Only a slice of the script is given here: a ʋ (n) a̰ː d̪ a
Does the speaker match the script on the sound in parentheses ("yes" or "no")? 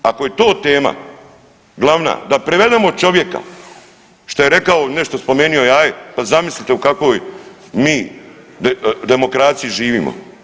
yes